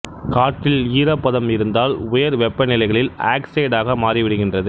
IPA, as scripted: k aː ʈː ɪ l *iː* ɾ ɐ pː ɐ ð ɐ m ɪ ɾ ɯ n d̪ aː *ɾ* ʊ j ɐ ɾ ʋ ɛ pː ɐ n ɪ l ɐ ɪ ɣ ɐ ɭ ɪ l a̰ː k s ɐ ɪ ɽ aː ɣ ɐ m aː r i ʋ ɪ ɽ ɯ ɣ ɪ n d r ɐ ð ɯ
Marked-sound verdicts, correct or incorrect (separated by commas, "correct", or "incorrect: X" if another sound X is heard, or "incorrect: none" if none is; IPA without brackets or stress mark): correct, incorrect: l